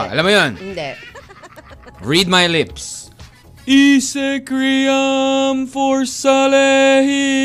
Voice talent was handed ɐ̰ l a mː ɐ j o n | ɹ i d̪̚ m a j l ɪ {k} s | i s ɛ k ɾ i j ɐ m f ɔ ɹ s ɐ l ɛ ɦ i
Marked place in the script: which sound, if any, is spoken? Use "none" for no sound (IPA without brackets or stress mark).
p